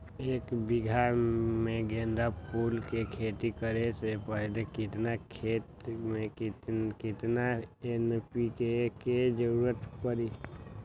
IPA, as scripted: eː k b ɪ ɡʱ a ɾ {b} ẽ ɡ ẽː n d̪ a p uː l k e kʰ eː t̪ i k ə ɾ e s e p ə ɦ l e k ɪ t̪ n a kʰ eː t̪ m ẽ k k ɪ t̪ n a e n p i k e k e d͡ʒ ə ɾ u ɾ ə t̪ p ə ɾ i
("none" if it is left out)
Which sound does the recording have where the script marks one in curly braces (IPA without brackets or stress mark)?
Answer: m